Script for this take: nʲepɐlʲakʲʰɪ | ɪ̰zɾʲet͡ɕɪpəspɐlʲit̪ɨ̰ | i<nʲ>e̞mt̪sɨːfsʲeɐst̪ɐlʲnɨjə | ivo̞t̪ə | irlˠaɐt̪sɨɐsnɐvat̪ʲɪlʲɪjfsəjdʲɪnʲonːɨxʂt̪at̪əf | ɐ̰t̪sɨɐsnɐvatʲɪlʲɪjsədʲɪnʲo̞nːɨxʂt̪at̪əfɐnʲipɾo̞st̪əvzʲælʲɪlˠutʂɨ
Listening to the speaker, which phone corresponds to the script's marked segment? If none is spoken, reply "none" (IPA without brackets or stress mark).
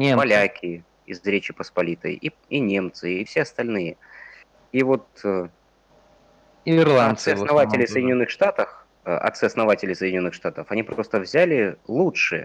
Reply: nʲ